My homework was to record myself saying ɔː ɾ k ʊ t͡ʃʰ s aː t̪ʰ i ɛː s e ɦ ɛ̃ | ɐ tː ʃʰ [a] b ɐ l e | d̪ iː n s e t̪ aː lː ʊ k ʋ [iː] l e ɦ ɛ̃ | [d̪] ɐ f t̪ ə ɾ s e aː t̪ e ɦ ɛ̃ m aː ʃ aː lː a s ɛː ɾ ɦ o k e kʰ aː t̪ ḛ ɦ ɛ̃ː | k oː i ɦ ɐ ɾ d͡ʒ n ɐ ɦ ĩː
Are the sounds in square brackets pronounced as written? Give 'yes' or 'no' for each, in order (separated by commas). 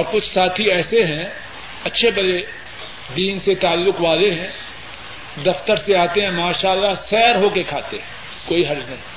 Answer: no, no, yes